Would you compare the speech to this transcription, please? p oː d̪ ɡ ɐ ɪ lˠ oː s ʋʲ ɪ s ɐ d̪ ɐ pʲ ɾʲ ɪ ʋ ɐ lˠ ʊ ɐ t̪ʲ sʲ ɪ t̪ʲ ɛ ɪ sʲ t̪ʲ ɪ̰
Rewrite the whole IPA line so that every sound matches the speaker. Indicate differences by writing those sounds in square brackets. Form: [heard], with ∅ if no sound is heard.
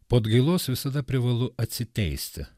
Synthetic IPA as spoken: p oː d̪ ɡ ɐ ɪ lˠ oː s ʋʲ ɪ s ɐ d̪ ɐ pʲ ɾʲ ɪ ʋ ɐ lˠ ʊ ɐ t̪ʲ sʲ ɪ t̪ʲ ɛ ɪ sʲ t̪ʲ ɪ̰